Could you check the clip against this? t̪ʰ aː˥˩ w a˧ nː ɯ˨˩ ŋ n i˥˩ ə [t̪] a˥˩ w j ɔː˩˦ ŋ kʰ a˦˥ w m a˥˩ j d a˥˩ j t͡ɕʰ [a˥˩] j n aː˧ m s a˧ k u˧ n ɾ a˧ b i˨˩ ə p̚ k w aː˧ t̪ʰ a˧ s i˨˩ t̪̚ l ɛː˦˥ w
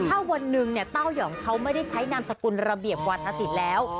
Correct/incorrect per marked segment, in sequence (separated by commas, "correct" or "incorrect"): correct, incorrect